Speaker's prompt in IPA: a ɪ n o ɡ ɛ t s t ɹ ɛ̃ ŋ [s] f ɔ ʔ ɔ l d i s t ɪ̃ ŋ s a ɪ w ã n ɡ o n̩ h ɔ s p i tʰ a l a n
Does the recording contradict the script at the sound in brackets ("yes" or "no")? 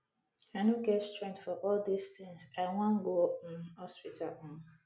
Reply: yes